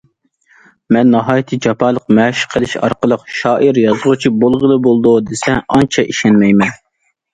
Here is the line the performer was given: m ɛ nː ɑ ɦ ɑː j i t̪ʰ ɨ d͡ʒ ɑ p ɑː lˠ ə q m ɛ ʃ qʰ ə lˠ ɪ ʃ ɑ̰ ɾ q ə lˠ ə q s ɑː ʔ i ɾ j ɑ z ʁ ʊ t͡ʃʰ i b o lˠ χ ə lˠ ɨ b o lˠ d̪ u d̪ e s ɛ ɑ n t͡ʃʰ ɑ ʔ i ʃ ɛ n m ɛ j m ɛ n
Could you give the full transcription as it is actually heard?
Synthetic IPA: m ɛ nː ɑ ɦ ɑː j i t̪ʰ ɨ d͡ʒ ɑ p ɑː lˠ ə q m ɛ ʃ qʰ ə lˠ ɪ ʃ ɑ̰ ɾ q ə lˠ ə q ʃ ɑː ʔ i ɾ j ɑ z ʁ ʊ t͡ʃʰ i b o lˠ ʁ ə lˠ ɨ b o lˠ d̪ u d̪ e s ɛ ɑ n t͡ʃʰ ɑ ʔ i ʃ ɛ n m ɛ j m ɛ n